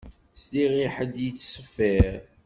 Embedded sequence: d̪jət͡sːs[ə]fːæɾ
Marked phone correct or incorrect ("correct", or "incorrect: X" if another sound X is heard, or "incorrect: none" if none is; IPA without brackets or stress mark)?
correct